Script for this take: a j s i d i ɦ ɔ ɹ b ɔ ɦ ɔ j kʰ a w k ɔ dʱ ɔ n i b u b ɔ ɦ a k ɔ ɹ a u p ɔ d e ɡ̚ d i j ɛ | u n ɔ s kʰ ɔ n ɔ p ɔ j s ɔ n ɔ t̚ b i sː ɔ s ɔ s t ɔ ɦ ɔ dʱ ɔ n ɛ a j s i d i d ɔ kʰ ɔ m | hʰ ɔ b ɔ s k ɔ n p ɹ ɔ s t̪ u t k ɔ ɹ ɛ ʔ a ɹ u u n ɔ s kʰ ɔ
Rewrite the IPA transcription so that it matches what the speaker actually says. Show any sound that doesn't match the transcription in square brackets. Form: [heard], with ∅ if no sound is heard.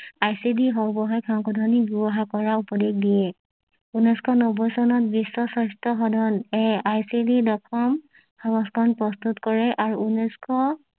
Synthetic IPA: a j s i d i ɦ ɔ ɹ b ɔ ɦ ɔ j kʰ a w k ɔ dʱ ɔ n i b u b ɔ ɦ a k ɔ ɹ a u p ɔ d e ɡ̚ d i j ɛ | u n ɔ s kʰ ɔ n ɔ [b] ɔ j s ɔ n ɔ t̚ b i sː ɔ s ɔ s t ɔ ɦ ɔ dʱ ɔ n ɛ a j s i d i d ɔ kʰ ɔ m | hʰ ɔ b ɔ s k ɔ n p ɹ ɔ s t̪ u t k ɔ ɹ ɛ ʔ a ɹ u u n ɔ s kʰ ɔ